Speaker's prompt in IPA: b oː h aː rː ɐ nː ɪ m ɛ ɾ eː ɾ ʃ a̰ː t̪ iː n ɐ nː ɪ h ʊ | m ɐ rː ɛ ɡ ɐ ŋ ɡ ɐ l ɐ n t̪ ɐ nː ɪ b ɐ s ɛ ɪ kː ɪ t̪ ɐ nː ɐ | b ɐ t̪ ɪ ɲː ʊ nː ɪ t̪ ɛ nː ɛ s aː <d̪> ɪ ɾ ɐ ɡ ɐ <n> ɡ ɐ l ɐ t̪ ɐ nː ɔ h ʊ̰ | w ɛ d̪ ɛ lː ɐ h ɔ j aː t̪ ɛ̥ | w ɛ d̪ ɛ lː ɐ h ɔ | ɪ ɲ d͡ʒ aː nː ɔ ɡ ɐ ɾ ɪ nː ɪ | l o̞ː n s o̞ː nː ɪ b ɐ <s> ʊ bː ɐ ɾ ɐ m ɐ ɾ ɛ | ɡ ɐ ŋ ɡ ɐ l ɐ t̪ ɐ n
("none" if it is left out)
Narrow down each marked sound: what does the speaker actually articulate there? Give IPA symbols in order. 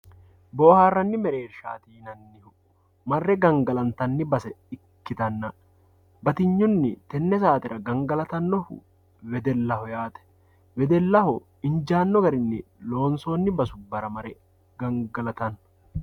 t̪, ŋ, s

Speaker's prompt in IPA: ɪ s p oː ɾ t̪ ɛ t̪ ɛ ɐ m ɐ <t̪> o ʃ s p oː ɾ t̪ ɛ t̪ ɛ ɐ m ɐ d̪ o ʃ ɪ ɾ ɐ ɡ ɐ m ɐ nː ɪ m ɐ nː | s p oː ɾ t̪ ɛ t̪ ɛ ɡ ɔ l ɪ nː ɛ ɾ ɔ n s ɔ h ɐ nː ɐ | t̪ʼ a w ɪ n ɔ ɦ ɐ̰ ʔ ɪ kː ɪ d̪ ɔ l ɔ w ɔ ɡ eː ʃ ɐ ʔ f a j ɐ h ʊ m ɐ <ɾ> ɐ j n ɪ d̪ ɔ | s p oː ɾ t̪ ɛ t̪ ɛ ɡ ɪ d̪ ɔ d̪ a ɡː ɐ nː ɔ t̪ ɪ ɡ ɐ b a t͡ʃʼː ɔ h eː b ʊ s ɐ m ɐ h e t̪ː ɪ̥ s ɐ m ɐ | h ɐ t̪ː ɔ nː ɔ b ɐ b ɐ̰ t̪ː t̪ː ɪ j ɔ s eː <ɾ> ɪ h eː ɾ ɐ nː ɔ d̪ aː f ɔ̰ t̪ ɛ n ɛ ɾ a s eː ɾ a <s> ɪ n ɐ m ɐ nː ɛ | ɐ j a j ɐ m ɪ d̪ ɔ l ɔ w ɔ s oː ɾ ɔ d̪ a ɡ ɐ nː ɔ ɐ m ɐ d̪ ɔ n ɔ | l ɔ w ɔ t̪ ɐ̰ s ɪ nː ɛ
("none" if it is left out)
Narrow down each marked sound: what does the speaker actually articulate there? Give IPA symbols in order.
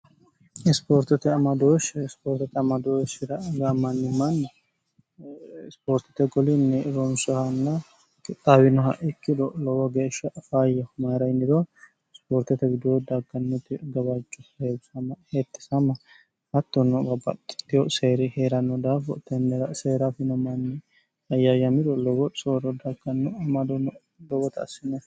d̪, ɾ, ɾ, f

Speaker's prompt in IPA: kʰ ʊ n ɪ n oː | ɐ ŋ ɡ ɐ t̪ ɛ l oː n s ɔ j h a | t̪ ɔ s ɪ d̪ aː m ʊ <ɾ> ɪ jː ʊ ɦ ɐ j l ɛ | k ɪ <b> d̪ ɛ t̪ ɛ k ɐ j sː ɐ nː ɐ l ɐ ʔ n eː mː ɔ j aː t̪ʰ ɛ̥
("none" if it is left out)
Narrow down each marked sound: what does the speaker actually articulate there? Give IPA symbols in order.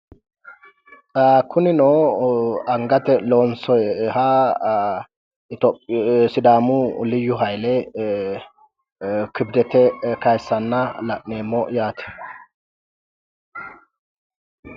l, b

